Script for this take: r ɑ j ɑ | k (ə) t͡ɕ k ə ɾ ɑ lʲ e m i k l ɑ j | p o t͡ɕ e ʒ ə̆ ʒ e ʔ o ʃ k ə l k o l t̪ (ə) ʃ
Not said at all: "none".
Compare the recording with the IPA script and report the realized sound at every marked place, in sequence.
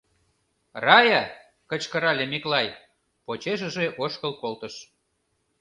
ə, ə

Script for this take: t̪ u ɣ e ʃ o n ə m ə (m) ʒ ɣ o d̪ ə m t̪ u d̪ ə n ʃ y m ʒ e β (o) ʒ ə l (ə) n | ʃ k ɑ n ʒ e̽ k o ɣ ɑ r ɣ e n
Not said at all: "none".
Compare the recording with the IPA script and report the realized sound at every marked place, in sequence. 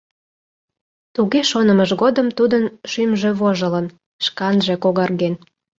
none, o, ə

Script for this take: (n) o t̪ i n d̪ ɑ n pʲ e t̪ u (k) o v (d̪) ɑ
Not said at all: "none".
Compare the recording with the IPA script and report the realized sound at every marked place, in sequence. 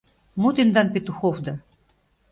m, x, d̪

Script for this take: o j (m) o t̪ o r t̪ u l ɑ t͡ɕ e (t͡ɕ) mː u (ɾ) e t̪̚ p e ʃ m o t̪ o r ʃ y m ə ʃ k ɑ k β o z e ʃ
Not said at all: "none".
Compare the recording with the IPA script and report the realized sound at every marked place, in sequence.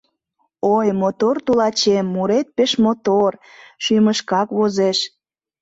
m, none, ɾ

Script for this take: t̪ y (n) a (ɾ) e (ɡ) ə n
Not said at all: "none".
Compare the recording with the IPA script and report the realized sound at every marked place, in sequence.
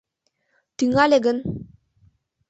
ŋ, l, ɡ

